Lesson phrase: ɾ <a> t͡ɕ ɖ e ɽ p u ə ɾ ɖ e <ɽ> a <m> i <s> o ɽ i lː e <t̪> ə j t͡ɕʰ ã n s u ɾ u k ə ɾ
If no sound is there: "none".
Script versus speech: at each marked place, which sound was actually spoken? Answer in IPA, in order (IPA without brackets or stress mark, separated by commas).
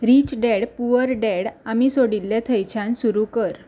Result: i, ɽ, m, s, t̪ʰ